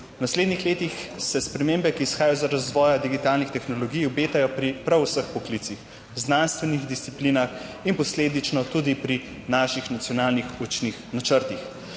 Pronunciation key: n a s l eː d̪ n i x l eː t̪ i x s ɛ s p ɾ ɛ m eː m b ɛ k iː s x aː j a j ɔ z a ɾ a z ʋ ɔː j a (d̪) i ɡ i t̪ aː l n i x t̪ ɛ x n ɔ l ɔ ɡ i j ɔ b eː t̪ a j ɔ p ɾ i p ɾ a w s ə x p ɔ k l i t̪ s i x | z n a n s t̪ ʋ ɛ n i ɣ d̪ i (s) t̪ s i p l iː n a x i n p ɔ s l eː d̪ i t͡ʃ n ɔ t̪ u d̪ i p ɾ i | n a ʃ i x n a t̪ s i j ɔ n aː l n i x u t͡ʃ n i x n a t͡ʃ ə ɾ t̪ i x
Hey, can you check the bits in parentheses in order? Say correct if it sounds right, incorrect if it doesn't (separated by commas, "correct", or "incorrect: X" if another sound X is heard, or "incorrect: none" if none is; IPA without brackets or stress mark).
correct, correct